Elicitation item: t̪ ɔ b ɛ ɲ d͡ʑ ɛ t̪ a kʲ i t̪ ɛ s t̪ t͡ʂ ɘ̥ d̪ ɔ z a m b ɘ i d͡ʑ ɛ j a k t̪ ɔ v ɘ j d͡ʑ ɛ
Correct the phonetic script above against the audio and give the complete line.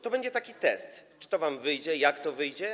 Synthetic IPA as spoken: t̪ ɔ b ɛ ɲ d͡ʑ ɛ t̪ a kʲ i t̪ ɛ s t̪ t͡ʂ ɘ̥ t̪ ɔ v a m v ɘ j d͡ʑ ɛ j a k t̪ ɔ v ɘ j d͡ʑ ɛ